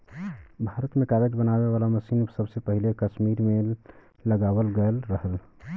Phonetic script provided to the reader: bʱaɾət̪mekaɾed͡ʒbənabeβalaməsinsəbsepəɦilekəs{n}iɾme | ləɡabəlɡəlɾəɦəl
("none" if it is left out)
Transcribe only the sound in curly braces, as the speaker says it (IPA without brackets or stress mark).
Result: m